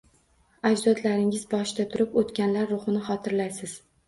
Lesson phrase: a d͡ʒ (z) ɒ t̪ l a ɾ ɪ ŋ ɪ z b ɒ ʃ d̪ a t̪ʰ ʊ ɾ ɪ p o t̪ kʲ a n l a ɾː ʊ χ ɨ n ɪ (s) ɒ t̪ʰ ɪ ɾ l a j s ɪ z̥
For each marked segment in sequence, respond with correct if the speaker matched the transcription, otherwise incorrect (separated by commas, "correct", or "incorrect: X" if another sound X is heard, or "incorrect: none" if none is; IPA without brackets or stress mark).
correct, incorrect: χ